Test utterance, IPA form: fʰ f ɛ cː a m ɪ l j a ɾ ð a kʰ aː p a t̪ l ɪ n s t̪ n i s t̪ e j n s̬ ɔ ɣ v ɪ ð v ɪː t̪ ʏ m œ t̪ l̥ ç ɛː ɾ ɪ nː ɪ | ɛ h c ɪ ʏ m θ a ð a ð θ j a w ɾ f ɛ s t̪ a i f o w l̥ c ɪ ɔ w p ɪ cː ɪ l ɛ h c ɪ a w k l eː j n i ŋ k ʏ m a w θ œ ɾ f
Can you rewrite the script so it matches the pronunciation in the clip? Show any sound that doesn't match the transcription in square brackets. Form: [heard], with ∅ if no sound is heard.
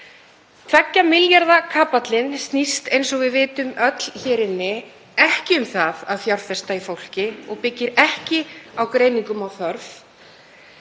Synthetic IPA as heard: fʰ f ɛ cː a m ɪ l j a ɾ ð a kʰ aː p a t̪ l ɪ n s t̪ n i s t̪ e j n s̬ ɔ ɣ v ɪ ð v ɪː t̪ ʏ m œ t̪ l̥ ç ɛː ɾ ɪ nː ɪ | ɛ h c ɪ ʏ m θ a ð a ð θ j a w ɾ f ɛ s t̪ a i f o w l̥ c ɪ ɔ [ɣ] p ɪ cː ɪ [ɾ] ɛ h c ɪ a w k [ɾ] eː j n i ŋ k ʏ m a w θ œ ɾ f